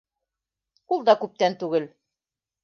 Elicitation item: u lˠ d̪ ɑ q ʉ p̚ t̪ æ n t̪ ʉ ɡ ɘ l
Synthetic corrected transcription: u lˠ d̪ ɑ k ʉ p̚ t̪ æ n t̪ ʉ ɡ ɘ l